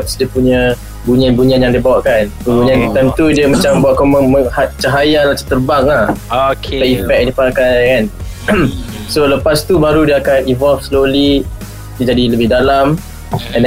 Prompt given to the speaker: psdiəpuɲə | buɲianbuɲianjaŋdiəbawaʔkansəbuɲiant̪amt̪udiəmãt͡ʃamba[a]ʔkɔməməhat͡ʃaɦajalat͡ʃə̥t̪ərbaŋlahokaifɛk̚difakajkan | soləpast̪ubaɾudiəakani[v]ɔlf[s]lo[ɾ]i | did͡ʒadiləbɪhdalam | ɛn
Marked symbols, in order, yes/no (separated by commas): yes, yes, yes, no